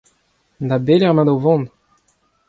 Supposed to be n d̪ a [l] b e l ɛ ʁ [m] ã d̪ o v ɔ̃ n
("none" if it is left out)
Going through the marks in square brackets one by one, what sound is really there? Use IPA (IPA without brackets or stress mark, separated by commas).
none, m